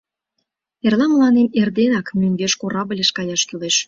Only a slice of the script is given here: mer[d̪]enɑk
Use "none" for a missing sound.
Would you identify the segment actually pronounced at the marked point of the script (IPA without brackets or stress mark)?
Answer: d̪